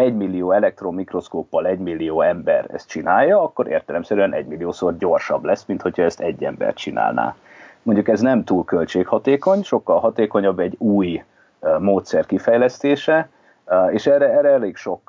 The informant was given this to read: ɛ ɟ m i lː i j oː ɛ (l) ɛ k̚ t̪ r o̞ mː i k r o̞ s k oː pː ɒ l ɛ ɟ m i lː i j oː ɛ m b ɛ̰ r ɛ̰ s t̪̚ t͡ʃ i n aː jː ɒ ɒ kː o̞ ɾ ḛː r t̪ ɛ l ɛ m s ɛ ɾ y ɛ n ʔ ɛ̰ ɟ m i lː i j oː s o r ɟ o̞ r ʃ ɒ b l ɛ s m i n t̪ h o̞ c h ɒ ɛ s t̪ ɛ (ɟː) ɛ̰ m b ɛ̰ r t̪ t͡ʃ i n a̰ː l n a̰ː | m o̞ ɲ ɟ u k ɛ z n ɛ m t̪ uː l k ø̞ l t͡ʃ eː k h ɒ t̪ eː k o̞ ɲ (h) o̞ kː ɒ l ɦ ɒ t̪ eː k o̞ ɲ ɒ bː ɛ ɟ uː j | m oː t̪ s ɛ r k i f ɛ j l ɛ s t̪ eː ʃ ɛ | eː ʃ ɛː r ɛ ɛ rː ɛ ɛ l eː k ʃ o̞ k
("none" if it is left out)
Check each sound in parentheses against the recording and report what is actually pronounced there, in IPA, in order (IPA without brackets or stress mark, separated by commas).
l, ɟː, ʃ